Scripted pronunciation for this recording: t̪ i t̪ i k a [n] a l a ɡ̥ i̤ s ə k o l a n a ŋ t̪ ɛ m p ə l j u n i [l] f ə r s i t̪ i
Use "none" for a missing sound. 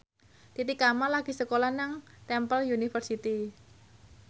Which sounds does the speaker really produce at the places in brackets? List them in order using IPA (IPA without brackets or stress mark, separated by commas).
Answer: m, none